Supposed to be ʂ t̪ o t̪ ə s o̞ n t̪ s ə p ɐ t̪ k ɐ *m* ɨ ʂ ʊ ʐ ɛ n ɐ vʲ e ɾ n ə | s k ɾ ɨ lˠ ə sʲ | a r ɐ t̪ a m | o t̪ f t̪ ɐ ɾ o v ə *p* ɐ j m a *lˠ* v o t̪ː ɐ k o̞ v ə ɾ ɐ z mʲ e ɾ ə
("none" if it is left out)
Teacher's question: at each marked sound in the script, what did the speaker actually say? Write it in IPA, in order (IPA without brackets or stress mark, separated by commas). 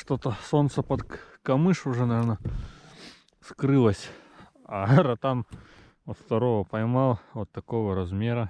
m, p, lˠ